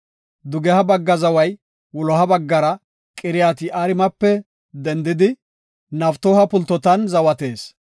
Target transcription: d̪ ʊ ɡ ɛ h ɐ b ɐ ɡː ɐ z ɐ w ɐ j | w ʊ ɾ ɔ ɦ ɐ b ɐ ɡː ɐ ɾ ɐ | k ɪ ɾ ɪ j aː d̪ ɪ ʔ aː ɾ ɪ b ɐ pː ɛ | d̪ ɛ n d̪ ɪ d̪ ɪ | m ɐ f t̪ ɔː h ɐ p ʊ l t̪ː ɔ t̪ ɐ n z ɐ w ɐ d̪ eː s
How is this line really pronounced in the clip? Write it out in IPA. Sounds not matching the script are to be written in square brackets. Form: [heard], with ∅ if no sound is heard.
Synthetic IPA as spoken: d̪ ʊ ɡ ɛ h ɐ b ɐ ɡː ɐ z ɐ w ɐ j | w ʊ [l] ɔ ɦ ɐ b ɐ ɡː ɐ ɾ ɐ | [kʼ] ɪ ɾ ɪ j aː [t̪] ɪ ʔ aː ɾ ɪ [m] ɐ pː ɛ | d̪ ɛ n d̪ ɪ d̪ ɪ | [n] ɐ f t̪ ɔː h ɐ p ʊ l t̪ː ɔ t̪ ɐ n z ɐ w ɐ [t̪] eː s